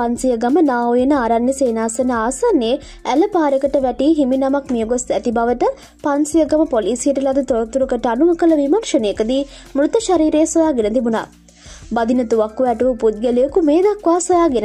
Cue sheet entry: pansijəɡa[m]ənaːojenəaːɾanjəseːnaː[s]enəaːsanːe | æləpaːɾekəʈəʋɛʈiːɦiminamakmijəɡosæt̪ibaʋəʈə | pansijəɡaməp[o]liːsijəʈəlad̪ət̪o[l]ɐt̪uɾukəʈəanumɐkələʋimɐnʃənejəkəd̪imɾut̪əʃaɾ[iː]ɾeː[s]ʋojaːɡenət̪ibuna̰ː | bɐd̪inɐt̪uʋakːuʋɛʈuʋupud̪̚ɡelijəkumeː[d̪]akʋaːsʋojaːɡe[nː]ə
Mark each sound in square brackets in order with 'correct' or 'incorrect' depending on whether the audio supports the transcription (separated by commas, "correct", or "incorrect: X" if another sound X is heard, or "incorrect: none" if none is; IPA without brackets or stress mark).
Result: correct, correct, correct, incorrect: ɾ, correct, correct, correct, incorrect: n